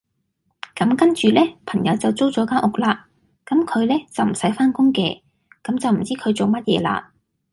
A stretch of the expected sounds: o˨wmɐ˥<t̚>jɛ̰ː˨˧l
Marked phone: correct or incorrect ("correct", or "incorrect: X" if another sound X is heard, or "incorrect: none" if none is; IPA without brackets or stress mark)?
correct